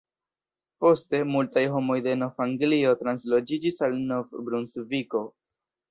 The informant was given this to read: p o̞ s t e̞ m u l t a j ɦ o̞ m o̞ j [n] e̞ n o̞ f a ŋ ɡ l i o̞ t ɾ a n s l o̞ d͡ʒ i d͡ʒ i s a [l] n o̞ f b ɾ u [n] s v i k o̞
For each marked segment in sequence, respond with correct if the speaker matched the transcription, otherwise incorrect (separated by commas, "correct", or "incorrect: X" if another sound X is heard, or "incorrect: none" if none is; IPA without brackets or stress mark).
incorrect: d, correct, correct